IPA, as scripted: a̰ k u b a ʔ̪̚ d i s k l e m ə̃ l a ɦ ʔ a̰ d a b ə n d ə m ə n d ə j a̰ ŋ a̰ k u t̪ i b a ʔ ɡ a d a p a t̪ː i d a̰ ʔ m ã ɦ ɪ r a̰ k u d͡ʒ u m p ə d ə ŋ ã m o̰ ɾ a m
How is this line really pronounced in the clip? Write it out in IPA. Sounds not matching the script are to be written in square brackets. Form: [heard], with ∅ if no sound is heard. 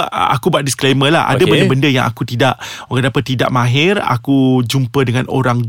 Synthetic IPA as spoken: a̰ k u b a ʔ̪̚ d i s k l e m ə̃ l a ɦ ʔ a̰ d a b ə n d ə [b] ə n d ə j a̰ ŋ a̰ k u t̪ i [d] a ʔ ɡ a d a p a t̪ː i d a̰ ʔ m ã ɦ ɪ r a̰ k u d͡ʒ u m p ə d ə ŋ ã [n] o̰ ɾ a [ŋ]